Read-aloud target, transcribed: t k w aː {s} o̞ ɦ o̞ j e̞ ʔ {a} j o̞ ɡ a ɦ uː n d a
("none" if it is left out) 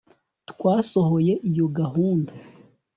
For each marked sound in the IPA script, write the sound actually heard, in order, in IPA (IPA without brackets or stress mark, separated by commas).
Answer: s, i